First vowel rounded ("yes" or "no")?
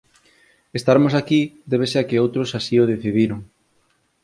no